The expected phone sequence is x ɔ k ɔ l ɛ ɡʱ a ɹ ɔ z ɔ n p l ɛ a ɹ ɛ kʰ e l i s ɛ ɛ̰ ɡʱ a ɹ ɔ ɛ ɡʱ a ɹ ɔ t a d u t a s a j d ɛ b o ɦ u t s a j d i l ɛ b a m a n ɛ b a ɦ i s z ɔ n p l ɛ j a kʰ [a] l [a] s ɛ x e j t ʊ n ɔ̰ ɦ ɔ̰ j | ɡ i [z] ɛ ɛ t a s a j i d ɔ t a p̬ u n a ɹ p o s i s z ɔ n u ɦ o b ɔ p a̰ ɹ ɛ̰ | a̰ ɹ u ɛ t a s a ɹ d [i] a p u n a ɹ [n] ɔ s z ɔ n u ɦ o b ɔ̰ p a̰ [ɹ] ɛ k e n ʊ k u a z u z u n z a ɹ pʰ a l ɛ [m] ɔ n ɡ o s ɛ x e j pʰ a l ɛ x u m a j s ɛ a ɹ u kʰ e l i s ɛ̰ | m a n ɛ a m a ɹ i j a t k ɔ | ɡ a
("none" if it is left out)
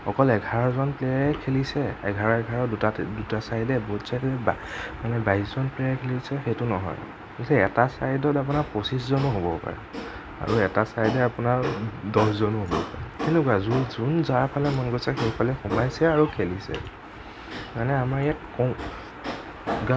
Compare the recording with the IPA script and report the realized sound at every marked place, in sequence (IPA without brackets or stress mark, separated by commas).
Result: e, i, s, ɛ, d, ɹ, m